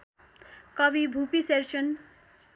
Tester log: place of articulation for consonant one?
velar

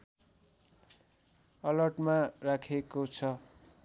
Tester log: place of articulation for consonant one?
alveolar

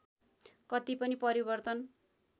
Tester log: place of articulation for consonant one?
velar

